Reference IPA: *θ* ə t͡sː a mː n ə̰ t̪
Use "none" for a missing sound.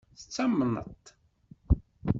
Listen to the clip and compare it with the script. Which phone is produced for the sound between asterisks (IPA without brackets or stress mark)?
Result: θ